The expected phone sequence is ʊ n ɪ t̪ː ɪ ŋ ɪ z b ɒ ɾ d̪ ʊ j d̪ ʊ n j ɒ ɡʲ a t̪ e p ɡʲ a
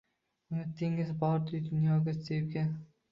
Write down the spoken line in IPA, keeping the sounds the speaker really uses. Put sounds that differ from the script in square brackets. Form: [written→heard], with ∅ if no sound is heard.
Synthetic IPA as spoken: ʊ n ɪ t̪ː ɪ ŋ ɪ z b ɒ ɾ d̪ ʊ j d̪ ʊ n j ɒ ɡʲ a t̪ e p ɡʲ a

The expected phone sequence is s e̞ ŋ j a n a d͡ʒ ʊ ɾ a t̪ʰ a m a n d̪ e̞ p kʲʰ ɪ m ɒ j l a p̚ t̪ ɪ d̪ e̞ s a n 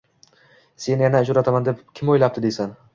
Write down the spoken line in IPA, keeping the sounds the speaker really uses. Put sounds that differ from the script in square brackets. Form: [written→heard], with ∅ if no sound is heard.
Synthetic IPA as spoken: s e̞ [ŋ→n] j a n a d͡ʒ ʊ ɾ a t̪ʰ a m a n d̪ e̞ p kʲʰ ɪ m [ɒ→o] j l a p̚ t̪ ɪ d̪ e̞ s a n

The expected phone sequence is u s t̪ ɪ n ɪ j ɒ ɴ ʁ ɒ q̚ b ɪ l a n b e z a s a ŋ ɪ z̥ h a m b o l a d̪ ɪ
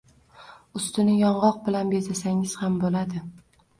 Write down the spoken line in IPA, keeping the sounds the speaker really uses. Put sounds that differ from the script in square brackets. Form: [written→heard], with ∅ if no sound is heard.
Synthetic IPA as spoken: [u→ʊ] s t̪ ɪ n ɪ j ɒ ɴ ʁ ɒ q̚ b ɪ l a n b e z a s a ŋ ɪ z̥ h a m b o l a d̪ ɪ

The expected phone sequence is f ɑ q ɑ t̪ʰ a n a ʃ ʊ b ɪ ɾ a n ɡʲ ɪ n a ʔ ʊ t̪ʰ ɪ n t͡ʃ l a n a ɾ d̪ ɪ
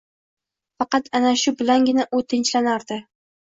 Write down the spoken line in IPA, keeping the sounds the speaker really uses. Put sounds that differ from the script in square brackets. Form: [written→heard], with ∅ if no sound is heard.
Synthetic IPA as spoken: f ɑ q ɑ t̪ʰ a n a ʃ ʊ b ɪ [ɾ→l] a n ɡʲ ɪ n a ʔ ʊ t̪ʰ ɪ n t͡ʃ l a n a ɾ d̪ ɪ

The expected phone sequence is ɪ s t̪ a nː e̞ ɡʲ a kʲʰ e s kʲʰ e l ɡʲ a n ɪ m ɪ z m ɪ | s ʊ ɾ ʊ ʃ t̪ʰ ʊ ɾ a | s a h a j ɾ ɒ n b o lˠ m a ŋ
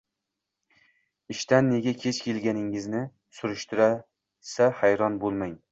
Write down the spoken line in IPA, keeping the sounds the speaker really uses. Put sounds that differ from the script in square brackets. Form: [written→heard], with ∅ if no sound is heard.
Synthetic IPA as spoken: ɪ [s→ʃ] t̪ a nː e̞ ɡʲ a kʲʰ e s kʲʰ e l ɡʲ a n ɪ [m→ŋ] ɪ z [m→n] ɪ | s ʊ ɾ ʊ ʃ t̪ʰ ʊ ɾ a | s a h a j ɾ ɒ n b o lˠ m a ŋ

